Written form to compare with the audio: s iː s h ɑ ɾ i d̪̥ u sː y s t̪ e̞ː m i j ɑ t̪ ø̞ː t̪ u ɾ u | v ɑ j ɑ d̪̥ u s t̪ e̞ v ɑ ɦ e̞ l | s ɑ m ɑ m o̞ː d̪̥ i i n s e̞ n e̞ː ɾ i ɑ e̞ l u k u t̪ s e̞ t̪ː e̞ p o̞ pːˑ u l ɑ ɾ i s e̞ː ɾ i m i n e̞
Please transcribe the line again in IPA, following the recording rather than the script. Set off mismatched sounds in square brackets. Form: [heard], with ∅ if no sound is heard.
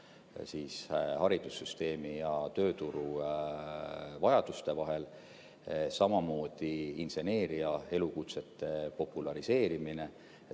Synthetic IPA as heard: s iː s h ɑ ɾ i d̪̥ u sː y s t̪ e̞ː m i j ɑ t̪ ø̞ː t̪ u ɾ u | v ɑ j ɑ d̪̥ u s t̪ e̞ v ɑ ɦ e̞ l | s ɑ m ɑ m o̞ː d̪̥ i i n s e̞ n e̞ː ɾ i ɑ e̞ l u k u t̪ s e̞ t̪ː e̞ p o̞ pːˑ u l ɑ ɾ i s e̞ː ɾ i m i n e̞